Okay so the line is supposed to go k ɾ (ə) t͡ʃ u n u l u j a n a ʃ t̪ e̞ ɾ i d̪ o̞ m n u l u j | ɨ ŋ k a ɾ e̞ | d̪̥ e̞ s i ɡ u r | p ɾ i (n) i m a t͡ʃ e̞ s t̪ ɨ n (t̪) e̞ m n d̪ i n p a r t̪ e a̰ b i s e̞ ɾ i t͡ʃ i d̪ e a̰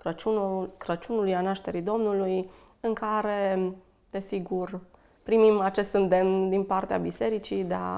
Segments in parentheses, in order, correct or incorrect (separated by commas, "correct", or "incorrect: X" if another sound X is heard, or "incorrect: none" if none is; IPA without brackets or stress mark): correct, incorrect: m, incorrect: d̪